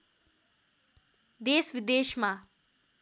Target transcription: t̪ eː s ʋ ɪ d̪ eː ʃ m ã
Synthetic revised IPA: d̪ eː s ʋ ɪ d̪ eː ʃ m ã